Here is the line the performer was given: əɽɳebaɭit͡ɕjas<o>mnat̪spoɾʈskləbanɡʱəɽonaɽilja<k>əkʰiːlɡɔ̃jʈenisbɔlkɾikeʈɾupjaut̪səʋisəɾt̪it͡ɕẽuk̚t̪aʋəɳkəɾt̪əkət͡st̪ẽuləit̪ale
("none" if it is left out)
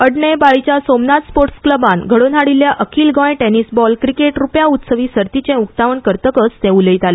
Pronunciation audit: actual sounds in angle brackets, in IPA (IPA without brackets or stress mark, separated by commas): o, ʔ